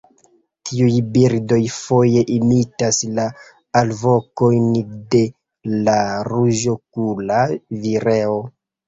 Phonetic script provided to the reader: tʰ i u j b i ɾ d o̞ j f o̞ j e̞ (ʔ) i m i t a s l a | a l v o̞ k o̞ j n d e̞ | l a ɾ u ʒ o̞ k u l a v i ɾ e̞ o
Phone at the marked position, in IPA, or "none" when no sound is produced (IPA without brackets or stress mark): ʔ